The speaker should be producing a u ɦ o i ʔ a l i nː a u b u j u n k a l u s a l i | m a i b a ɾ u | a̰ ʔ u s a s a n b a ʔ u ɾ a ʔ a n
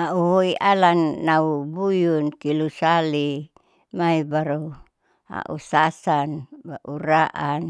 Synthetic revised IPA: a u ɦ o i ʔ a l a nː a u b u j u n k i l u s a l i | m a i b a ɾ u | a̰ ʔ u s a s a n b a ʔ u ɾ a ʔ a n